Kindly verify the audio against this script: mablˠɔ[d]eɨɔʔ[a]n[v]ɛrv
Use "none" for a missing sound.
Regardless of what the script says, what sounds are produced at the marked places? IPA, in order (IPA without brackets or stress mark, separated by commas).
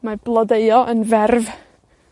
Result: d, ə, v